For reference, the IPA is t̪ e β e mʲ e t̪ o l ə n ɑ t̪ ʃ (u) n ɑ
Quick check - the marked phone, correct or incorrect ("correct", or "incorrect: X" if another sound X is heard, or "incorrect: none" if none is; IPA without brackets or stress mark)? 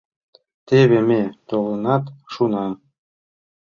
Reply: correct